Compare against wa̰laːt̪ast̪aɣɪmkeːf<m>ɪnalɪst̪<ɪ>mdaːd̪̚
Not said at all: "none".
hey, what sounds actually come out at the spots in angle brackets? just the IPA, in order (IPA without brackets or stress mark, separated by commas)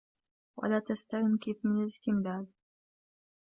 m, ɪ